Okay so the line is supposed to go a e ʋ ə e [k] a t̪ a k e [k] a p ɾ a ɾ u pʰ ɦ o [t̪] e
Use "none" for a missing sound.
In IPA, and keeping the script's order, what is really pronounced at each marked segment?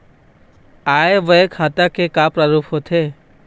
kʰ, k, t̪ʰ

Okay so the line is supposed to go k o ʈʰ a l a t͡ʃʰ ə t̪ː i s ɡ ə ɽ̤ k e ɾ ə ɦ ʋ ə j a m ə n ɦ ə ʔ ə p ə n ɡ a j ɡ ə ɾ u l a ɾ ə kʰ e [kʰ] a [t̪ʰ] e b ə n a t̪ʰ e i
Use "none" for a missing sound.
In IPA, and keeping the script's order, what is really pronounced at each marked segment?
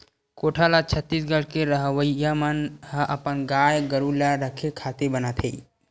kʰ, t̪

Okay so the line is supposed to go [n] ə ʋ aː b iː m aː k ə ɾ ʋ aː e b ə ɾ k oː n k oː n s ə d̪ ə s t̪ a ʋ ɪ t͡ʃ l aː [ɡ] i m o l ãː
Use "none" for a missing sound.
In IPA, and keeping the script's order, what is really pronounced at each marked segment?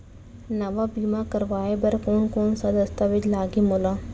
n, ɡ

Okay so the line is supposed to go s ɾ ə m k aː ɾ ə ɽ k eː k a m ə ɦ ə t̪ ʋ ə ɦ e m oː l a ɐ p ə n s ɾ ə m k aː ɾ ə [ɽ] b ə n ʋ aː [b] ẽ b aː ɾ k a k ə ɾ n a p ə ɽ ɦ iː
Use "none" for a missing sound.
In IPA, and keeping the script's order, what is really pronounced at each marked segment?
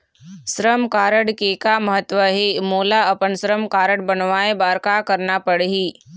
ɽ, none

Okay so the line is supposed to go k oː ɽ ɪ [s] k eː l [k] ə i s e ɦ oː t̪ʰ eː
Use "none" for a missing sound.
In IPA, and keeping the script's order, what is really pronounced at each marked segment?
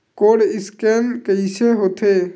s, k

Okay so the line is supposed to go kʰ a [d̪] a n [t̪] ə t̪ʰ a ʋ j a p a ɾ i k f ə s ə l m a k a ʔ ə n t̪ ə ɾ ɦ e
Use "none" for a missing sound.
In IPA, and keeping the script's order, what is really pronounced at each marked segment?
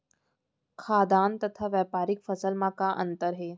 d̪, t̪

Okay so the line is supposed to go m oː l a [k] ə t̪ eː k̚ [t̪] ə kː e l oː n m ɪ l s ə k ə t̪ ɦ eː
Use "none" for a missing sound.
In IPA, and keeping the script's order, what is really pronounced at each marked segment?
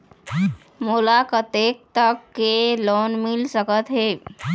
k, t̪

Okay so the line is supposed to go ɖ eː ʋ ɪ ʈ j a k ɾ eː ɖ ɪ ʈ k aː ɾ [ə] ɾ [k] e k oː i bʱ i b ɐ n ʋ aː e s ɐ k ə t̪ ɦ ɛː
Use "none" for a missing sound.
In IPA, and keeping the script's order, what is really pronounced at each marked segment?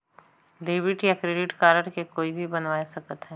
ə, k

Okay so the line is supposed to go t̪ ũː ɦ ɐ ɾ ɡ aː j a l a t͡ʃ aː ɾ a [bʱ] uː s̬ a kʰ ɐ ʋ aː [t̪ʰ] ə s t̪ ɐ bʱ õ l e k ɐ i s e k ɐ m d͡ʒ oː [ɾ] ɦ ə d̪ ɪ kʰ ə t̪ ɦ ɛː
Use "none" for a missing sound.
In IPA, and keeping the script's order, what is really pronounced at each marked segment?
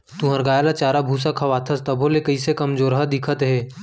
bʱ, t̪ʰ, ɾ

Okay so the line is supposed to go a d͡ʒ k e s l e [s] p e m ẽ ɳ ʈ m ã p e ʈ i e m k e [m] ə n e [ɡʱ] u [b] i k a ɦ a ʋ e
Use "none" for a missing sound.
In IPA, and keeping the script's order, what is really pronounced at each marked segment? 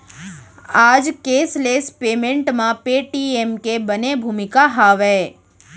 s, b, bʱ, m

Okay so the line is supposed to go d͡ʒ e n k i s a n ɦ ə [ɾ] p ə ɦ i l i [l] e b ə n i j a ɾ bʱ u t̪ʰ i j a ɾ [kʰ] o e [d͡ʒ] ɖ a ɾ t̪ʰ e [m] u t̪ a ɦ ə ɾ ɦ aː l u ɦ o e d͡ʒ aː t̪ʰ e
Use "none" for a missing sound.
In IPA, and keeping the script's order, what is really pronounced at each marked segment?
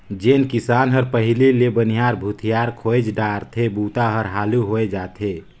ɾ, l, kʰ, d͡ʒ, b

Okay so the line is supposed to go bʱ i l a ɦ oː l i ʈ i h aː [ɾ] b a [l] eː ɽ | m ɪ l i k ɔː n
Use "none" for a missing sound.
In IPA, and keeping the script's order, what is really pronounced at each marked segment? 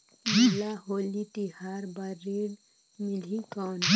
ɾ, ɾ

